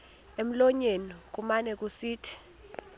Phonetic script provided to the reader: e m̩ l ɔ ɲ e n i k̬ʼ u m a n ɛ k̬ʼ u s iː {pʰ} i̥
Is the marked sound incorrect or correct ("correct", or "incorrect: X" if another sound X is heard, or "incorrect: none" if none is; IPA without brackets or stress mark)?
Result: incorrect: tʰ